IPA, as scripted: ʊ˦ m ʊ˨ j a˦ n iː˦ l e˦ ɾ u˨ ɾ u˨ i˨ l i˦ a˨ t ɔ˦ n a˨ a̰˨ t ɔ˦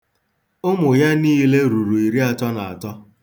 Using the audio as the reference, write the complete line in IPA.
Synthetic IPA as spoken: ʊ˦ m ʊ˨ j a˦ n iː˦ l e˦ ɾ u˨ ɾ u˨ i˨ ɾ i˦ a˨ t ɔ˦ n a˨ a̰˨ t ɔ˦